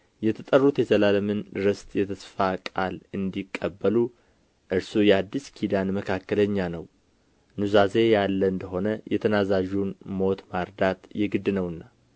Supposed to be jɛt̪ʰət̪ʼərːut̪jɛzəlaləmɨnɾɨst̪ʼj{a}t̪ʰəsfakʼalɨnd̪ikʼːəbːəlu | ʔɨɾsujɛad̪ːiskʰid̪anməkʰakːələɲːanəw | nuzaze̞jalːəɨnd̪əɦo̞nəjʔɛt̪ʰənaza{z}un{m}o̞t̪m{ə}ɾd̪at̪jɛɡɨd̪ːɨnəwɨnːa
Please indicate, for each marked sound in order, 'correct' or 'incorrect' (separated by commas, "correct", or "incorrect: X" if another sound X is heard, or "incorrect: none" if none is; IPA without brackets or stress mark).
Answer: incorrect: ɛ, incorrect: ʒ, correct, incorrect: a